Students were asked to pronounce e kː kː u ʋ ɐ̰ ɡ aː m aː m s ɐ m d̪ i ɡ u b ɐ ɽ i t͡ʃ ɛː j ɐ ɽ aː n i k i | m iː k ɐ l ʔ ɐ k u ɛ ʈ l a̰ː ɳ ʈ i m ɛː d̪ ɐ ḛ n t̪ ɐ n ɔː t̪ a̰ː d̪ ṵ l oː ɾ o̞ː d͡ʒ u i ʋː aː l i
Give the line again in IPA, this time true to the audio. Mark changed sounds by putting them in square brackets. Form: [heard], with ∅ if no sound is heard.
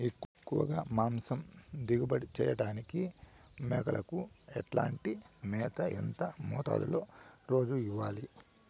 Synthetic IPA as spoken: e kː kː u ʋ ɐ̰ ɡ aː m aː m s ɐ m d̪ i ɡ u b ɐ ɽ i t͡ʃ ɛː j ɐ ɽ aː n i k i | m [ɛː] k ɐ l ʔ ɐ k u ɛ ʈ l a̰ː ɳ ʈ i m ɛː [t̪] ɐ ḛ n t̪ ɐ [m] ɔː t̪ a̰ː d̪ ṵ l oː ɾ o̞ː d͡ʒ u i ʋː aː l i

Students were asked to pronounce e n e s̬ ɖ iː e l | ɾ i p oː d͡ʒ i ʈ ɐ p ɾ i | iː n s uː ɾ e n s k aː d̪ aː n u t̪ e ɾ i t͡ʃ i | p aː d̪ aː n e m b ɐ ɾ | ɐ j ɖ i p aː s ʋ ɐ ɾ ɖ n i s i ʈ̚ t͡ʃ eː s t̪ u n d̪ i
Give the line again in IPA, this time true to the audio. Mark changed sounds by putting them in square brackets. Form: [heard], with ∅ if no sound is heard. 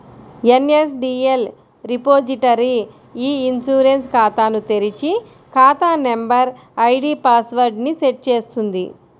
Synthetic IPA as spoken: e n e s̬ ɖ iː e l | ɾ i p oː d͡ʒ i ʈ ɐ [∅] ɾ i | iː n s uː ɾ e n s k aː [t̪] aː n u t̪ e ɾ i t͡ʃ i | [k] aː [t̪] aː n e m b ɐ ɾ | ɐ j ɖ i p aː s ʋ ɐ ɾ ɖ n i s [e] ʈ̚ t͡ʃ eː s t̪ u n d̪ i

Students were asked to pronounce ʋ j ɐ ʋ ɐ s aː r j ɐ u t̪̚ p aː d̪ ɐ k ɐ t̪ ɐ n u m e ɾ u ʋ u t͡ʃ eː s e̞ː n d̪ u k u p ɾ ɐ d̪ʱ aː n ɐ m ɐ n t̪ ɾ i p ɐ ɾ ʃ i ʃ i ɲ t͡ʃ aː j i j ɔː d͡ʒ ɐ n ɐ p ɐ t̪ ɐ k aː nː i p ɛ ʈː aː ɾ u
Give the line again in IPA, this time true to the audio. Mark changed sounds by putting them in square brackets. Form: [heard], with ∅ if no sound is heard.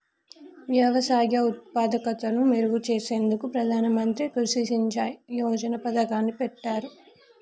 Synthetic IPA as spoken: ʋ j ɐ ʋ ɐ s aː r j ɐ u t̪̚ p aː d̪ ɐ k ɐ t̪ ɐ n u m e ɾ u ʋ u t͡ʃ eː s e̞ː n d̪ u k u p ɾ ɐ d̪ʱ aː n ɐ m ɐ n t̪ ɾ i [k] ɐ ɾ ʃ i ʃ i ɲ t͡ʃ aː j i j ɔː d͡ʒ ɐ n ɐ p ɐ [d̪] ɐ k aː nː i p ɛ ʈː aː ɾ u

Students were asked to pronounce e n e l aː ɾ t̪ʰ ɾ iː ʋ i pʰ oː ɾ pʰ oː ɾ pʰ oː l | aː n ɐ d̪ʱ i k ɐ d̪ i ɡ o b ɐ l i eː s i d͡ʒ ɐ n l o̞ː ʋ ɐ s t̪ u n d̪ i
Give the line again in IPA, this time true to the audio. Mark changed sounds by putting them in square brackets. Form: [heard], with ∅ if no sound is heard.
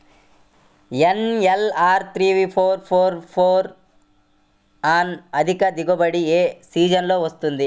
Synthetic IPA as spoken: e n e l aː ɾ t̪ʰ ɾ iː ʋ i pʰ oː ɾ pʰ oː ɾ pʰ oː [ɾ] | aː n ɐ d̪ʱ i k ɐ d̪ i ɡ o b ɐ [ɽ] i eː s [iː] d͡ʒ ɐ n l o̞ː ʋ ɐ s t̪ u n d̪ i

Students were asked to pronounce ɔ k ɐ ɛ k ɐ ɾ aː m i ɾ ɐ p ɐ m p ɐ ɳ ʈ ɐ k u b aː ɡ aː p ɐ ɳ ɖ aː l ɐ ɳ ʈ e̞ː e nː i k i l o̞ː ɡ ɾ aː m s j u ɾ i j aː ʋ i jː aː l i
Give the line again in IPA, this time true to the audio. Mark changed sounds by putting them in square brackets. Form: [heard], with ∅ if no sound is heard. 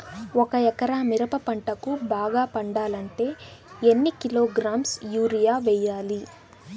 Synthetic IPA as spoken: ɔ k ɐ ɛ k ɐ ɾ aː m i ɾ ɐ p ɐ [∅] p ɐ ɳ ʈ ɐ k u b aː ɡ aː p ɐ ɳ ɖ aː l ɐ ɳ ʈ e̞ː e nː i k i l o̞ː ɡ ɾ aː m s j [uː] ɾ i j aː ʋ [ɛ] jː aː l i

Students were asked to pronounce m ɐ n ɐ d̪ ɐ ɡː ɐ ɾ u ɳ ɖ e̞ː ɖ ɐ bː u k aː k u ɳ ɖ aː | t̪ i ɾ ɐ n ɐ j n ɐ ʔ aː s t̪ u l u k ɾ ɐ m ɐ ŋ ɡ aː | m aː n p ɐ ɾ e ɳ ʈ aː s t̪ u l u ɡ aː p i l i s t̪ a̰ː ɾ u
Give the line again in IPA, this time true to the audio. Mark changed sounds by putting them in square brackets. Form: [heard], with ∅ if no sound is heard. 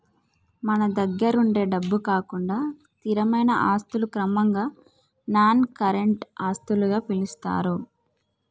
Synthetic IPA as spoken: m ɐ n ɐ d̪ ɐ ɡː ɐ ɾ u ɳ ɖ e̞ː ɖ ɐ bː u k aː k u ɳ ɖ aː | t̪ i ɾ ɐ [m] ɐ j n ɐ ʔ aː s t̪ u l u k ɾ ɐ m ɐ ŋ ɡ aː | [n] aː n [k] ɐ ɾ e ɳ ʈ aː s t̪ u l u ɡ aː p i l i s t̪ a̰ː ɾ u

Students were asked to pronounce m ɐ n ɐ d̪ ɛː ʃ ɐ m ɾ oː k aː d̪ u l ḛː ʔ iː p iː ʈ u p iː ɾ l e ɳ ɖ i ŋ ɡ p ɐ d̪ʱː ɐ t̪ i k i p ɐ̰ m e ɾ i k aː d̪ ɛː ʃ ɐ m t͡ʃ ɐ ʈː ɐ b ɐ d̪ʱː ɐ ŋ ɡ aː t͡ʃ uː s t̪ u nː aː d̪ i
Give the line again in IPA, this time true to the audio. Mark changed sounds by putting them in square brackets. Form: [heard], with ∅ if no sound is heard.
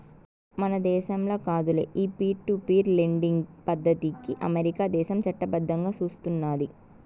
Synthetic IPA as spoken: m ɐ n ɐ d̪ ɛː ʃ ɐ m [l] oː k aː d̪ u l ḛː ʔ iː p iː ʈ u p iː ɾ l e ɳ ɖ i ŋ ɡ p ɐ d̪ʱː ɐ t̪ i k i [ʔ] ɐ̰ m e ɾ i k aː d̪ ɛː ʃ ɐ m t͡ʃ ɐ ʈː ɐ b ɐ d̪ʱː ɐ ŋ ɡ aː t͡ʃ uː s t̪ u nː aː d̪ i

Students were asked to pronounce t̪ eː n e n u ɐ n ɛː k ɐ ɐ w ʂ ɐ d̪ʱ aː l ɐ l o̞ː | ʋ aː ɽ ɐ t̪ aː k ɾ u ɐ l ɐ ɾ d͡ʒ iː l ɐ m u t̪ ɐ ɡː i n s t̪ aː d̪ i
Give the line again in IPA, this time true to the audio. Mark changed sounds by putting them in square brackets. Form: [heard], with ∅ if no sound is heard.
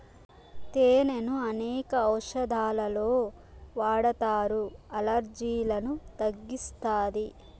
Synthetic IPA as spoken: t̪ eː n e n u ɐ n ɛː k ɐ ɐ w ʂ ɐ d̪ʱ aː l ɐ l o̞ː | ʋ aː ɽ ɐ t̪ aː [∅] ɾ u ɐ l ɐ ɾ d͡ʒ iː l ɐ [n] u t̪ ɐ ɡː i [∅] s t̪ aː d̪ i

